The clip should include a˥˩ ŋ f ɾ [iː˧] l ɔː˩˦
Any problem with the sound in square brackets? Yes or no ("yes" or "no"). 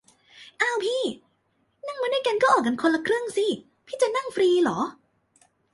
no